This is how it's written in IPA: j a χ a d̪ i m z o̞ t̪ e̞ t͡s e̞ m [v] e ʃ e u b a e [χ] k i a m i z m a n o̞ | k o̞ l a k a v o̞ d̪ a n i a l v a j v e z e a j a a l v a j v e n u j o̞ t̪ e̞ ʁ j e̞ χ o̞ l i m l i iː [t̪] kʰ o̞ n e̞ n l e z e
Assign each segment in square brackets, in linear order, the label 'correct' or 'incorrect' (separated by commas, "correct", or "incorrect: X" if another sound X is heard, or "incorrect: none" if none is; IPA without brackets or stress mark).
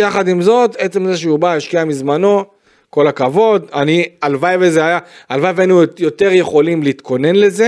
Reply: incorrect: z, incorrect: ʃ, correct